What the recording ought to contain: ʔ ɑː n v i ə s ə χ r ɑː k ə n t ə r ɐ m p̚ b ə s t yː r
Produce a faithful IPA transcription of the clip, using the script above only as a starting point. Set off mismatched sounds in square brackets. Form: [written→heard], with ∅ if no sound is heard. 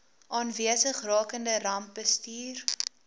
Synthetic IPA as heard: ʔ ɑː n v i ə s ə χ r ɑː k ə n [t→d] ə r ɐ m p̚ b ə s t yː r